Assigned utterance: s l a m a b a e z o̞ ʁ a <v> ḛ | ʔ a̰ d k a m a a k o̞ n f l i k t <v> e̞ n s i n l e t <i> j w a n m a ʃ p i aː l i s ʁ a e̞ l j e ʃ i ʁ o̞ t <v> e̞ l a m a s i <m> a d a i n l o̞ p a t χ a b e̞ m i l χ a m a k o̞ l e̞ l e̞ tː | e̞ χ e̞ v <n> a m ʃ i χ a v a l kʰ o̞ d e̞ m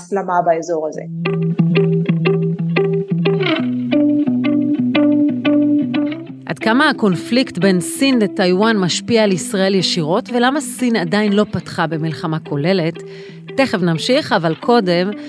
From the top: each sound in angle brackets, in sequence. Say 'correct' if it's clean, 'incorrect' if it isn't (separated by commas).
incorrect, incorrect, incorrect, correct, incorrect, correct